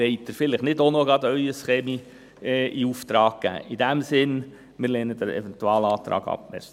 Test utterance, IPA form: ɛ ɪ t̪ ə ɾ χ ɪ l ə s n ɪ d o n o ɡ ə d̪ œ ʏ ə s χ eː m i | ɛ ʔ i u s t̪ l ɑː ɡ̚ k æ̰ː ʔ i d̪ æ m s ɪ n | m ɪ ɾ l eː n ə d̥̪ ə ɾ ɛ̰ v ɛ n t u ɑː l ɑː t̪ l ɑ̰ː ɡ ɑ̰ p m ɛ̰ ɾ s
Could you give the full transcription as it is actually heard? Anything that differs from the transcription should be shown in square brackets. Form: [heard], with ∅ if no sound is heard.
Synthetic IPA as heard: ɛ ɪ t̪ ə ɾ [f] ɪ l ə [χ] n ɪ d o n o ɡ [ɑ] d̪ œ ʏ ə s χ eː m i | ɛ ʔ i u [f] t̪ [ɾ] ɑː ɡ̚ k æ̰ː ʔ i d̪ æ m s ɪ n | m ɪ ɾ l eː n ə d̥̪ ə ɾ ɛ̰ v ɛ n t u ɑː l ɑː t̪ [ɾ] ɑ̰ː ɡ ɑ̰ p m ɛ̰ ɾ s